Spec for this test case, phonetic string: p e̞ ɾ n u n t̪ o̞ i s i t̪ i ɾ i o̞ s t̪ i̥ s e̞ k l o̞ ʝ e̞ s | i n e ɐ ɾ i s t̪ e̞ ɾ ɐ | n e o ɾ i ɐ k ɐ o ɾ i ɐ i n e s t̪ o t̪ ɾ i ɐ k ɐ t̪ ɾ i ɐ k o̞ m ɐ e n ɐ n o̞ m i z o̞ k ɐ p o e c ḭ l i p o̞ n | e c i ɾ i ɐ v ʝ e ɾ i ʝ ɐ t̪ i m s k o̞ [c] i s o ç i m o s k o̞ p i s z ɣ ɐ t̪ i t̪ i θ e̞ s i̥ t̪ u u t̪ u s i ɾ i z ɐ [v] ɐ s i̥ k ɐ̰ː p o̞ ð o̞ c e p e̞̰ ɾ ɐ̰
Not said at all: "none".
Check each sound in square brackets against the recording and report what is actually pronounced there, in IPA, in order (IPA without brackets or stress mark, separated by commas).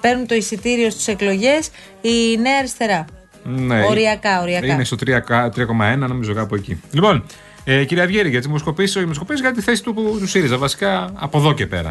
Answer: p, v